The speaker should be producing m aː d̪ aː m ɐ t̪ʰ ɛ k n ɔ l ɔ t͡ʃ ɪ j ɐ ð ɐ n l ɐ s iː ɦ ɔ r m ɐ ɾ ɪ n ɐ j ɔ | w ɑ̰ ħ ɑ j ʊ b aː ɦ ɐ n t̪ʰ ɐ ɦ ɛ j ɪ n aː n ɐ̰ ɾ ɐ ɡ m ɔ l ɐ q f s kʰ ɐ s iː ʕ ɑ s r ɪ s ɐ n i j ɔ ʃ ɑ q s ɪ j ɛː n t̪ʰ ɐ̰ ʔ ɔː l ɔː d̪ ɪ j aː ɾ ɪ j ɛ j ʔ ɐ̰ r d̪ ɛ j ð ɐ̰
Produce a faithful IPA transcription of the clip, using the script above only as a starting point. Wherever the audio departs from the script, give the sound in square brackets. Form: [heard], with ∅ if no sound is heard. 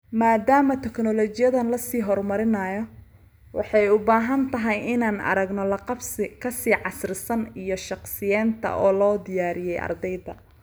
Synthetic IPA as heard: m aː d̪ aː m ɐ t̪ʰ ɛ k n ɔ l ɔ t͡ʃ ɪ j ɐ ð ɐ n l ɐ s iː ɦ ɔ r m ɐ ɾ ɪ n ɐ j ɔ | w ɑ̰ ħ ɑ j ʊ b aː ɦ ɐ n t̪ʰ ɐ ɦ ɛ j ɪ n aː n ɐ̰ ɾ ɐ ɡ [n] ɔ l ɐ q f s kʰ ɐ s iː ʕ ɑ s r ɪ s ɐ n i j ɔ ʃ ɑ q s ɪ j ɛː n t̪ʰ ɐ̰ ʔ ɔː l ɔː d̪ ɪ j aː ɾ ɪ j ɛ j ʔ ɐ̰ r d̪ ɛ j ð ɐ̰